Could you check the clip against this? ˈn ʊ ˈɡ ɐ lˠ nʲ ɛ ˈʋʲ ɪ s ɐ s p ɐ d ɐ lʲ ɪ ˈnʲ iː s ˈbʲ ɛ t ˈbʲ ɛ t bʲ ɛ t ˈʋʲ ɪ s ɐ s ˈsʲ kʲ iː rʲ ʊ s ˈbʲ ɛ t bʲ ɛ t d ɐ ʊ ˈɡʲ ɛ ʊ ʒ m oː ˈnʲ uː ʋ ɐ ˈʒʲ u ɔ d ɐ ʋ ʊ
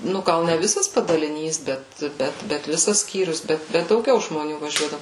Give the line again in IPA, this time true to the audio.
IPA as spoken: ˈn ʊ ˈɡ ɐ lˠ nʲ ɛ ˈʋʲ ɪ s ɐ s p ɐ d ɐ lʲ ɪ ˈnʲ iː s ˈbʲ ɛ t ˈbʲ ɛ t bʲ ɛ t ˈʋʲ ɪ s ɐ s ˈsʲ kʲ iː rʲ ʊ s ˈbʲ ɛ t bʲ ɛ t d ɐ ʊ ˈɡʲ ɛ ʊ ʒ m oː ˈnʲ uː ʋ ɐ ˈʒʲ u ɔ d ɐ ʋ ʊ

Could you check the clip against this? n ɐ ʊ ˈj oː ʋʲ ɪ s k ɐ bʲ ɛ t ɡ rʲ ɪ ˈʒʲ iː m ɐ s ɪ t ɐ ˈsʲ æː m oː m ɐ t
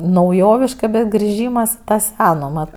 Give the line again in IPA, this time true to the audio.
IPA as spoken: n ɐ ʊ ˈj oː ʋʲ ɪ ʃ k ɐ bʲ ɛ t ɡ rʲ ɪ ˈʒʲ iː m ɐ s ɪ t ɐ ˈsʲ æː n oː m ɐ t

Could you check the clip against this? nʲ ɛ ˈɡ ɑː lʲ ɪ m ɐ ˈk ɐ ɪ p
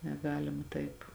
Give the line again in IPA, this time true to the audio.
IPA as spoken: nʲ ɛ ˈɡ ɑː lʲ ɪ m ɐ ˈt ɐ ɪ p

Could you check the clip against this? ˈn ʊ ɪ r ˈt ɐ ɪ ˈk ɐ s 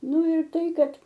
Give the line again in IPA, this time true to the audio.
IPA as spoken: ˈn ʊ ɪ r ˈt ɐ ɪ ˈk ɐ t

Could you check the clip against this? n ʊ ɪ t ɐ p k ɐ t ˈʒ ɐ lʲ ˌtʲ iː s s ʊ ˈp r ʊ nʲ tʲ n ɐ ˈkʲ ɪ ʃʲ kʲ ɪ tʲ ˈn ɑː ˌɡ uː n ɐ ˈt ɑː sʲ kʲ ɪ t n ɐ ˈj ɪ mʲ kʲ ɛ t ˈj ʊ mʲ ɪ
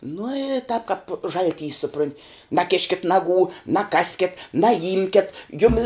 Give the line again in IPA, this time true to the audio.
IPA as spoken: n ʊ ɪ t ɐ p k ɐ p ˈʒ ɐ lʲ ˌtʲ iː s s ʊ ˈp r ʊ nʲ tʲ n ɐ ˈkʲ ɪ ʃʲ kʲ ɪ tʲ ˈn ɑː ˌɡ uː n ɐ ˈk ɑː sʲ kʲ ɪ t n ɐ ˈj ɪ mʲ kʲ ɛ t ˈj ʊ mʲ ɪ

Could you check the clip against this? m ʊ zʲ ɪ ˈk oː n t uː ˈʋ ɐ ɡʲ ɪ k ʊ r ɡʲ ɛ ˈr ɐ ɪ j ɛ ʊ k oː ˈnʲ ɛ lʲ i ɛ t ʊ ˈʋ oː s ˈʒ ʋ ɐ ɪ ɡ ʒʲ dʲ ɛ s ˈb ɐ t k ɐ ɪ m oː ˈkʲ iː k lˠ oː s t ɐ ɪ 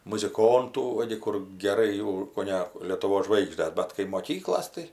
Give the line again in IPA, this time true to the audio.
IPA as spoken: m ʊ zʲ ɪ ˈk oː n t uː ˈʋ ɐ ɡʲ ɪ k ʊ r ɡʲ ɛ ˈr ɐ ɪ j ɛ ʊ k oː ˈnʲ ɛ lʲ i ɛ t ʊ ˈʋ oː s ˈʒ ʋ ɐ ɪ ɡ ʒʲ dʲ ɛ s ˈb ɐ t k ɐ ɪ m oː ˈkʲ iː k lˠ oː s t ɐ ɪ

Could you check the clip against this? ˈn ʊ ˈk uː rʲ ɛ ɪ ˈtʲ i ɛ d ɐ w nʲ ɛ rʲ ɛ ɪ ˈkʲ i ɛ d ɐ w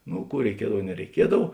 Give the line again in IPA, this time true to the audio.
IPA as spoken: ˈn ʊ ˈk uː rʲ ɛ ɪ ˈkʲ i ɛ d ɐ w nʲ ɛ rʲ ɛ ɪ ˈkʲ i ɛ d ɐ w

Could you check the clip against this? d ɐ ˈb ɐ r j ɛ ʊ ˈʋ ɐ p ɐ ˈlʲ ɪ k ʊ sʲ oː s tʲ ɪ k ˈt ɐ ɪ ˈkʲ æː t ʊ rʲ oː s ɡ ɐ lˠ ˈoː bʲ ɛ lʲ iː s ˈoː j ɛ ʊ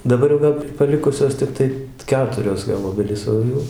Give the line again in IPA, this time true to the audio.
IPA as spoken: d ɐ ˈb ɐ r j ɛ ʊ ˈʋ ɐ p ɐ ˈlʲ ɪ k ʊ sʲ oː s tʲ ɪ k ˈt ɐ ɪ ˈkʲ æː t ʊ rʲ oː s ɡ ɐ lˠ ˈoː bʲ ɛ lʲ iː s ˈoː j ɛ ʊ

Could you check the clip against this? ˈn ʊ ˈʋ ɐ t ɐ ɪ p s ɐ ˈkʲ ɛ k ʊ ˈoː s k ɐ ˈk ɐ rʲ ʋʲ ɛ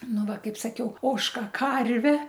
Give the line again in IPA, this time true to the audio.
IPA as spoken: ˈn ʊ ˈʋ ɐ k ɐ ɪ p s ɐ ˈkʲ ɛ ʊ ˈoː ʃ k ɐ ˈk ɐ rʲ ʋʲ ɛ

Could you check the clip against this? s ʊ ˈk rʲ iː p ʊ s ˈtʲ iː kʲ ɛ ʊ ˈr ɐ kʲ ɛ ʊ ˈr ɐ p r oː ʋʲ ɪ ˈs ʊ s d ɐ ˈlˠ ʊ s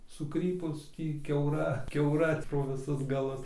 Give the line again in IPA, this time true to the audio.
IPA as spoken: s ʊ ˈk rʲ iː p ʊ s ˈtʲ iː kʲ ɛ ʊ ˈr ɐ kʲ ɛ ʊ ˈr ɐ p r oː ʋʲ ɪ ˈs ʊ s ɡ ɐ ˈlˠ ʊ s

